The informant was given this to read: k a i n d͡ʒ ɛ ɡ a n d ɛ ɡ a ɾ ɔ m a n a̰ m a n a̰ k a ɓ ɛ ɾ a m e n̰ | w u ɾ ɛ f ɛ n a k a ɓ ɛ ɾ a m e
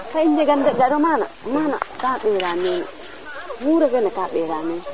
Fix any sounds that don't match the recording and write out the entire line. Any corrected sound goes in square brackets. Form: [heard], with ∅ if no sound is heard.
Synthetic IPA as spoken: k a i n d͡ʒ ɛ ɡ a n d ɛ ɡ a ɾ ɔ m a n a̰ m a n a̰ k a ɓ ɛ ɾ a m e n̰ | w u ɾ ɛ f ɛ n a k a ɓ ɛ ɾ a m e